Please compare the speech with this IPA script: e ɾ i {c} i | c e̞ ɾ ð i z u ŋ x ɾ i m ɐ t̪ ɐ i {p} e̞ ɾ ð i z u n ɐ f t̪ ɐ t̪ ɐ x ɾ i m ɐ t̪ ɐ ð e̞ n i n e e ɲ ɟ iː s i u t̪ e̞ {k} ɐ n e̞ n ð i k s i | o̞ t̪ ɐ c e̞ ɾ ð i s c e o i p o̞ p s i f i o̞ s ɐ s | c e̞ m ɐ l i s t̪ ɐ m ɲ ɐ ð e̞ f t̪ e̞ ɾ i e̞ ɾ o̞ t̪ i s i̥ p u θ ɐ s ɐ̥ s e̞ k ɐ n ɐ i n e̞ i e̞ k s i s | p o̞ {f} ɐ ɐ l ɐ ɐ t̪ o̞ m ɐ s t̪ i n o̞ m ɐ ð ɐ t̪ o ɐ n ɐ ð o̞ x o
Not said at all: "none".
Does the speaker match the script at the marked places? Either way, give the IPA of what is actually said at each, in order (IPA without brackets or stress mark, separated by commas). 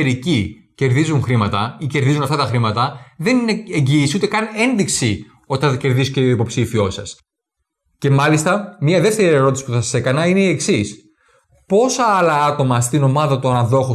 c, c, k, s